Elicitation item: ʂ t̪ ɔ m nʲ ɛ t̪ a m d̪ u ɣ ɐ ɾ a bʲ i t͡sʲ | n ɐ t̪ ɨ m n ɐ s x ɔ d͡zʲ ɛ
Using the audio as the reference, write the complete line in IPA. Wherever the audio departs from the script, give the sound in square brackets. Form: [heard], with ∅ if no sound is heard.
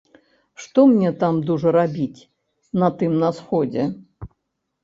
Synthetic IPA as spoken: ʂ t̪ ɔ m nʲ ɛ t̪ a m d̪ u [ʐ] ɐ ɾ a bʲ i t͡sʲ | n ɐ t̪ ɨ m n ɐ s x ɔ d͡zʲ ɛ